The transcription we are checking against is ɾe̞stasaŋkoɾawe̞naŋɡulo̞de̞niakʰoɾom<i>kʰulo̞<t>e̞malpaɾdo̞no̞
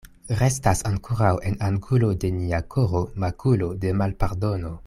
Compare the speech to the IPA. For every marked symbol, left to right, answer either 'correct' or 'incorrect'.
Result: incorrect: a, incorrect: d

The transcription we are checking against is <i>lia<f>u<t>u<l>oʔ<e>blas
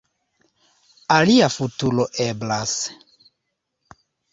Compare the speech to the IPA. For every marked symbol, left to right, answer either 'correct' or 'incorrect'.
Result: incorrect: a, correct, correct, correct, correct

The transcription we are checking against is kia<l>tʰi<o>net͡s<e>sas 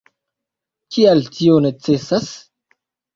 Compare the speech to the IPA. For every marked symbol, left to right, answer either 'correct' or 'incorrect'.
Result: correct, correct, correct

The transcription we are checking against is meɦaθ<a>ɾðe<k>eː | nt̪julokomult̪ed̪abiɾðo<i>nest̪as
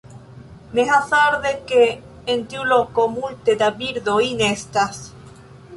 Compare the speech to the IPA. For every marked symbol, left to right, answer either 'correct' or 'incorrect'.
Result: correct, correct, correct

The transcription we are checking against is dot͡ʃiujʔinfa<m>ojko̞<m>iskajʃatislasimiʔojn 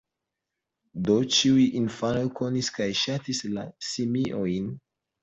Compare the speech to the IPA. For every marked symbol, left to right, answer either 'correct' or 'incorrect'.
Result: incorrect: n, incorrect: n

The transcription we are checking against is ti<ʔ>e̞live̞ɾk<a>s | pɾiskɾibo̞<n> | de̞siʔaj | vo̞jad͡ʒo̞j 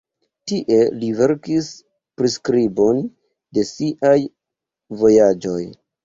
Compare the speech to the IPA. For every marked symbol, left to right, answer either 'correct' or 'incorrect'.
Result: correct, incorrect: i, correct

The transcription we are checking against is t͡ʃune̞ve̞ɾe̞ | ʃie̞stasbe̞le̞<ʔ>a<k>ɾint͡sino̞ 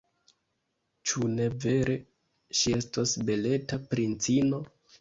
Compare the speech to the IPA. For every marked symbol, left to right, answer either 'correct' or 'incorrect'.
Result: incorrect: t, incorrect: p

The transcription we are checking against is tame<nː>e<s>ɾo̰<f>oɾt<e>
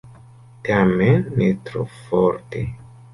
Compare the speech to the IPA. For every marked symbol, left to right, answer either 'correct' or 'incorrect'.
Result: correct, incorrect: t, correct, correct

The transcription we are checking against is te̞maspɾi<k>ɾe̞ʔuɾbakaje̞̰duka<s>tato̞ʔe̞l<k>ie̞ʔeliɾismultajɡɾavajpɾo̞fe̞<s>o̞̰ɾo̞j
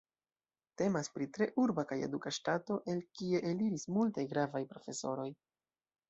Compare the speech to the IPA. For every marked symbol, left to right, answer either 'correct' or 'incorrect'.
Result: incorrect: t, incorrect: ʃ, correct, correct

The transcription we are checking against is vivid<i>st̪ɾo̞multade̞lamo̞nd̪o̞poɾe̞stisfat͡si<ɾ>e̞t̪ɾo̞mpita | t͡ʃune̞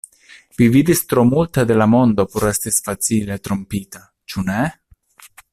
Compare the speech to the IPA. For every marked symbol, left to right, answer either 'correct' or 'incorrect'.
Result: correct, incorrect: l

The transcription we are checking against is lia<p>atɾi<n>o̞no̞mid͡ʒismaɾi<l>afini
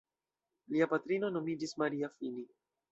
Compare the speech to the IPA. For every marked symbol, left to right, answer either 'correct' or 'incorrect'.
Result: correct, correct, incorrect: none

